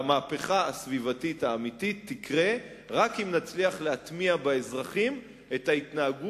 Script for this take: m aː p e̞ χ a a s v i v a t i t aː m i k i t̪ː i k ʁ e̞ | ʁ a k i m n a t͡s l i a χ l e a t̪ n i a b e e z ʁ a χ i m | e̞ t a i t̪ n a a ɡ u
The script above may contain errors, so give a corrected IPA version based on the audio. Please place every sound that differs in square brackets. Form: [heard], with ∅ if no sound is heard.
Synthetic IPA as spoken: m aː p e̞ χ a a s v i v a t i t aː m i [t] i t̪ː i k ʁ e̞ | ʁ a k i m n a t͡s l i a χ l e a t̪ [m] i a b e e z ʁ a χ i m | e̞ t a i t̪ n a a ɡ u